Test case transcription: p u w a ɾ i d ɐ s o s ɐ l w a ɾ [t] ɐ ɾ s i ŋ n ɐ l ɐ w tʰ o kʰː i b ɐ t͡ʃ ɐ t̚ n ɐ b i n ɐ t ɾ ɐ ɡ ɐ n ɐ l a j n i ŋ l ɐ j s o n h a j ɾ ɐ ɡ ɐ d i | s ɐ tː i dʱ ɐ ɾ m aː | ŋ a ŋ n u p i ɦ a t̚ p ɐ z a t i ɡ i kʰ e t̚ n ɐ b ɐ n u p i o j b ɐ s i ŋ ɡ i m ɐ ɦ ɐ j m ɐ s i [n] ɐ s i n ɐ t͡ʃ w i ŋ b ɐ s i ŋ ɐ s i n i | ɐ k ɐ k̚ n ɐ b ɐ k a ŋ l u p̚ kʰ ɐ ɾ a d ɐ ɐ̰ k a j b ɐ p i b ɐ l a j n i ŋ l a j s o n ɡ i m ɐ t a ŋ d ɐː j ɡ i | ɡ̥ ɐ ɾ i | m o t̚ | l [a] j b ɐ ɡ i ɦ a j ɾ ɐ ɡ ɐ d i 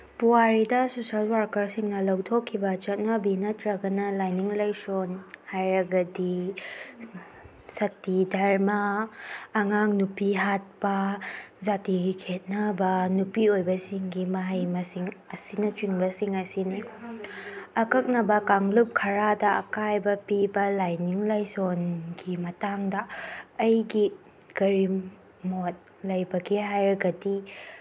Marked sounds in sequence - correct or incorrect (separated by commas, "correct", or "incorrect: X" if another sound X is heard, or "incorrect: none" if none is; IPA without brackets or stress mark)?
incorrect: k, incorrect: ŋ, incorrect: ɐ